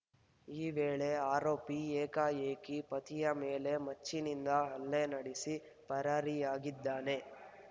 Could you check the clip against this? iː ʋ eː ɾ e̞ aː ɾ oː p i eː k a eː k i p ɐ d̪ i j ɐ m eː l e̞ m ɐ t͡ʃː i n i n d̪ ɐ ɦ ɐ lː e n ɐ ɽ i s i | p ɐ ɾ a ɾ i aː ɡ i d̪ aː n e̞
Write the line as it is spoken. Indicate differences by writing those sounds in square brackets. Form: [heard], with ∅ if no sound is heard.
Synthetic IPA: iː ʋ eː [ɭ] e̞ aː ɾ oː p i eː k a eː k i p ɐ [t̪] i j ɐ m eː l e̞ m ɐ t͡ʃː i n i n d̪ ɐ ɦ ɐ lː e n ɐ ɽ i s i | p ɐ ɾ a ɾ i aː ɡ i [d̪ː] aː n e̞